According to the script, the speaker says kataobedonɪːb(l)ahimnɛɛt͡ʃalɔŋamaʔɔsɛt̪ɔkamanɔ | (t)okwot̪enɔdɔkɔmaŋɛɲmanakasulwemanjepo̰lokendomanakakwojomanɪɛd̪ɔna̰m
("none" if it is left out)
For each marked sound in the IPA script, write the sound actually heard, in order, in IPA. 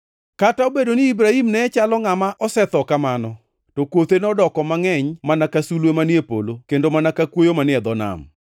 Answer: ɾ, t

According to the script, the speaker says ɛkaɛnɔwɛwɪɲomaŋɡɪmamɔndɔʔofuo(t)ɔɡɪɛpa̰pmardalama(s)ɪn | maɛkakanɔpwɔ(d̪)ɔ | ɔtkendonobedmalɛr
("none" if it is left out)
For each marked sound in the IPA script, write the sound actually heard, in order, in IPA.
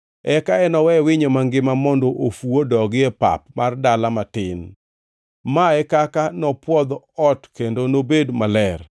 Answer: d, t, d̪

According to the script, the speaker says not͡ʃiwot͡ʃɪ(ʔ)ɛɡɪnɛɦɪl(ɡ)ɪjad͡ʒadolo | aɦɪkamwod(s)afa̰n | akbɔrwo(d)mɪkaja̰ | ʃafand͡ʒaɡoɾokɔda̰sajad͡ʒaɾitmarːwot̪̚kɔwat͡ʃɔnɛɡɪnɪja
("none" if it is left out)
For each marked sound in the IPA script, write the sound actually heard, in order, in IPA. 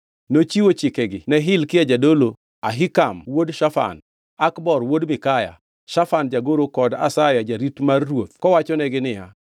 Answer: k, k, ʃ, d

